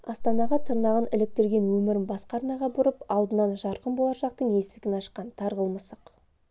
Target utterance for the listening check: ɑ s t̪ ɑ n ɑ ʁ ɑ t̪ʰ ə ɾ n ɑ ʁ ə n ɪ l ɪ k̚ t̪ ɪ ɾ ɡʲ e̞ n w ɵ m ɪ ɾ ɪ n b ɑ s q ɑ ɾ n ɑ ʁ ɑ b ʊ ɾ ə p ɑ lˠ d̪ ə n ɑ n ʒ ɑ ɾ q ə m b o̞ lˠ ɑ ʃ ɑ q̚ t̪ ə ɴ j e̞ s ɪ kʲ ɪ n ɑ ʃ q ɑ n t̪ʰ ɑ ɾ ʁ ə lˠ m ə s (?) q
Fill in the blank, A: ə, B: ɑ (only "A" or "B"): A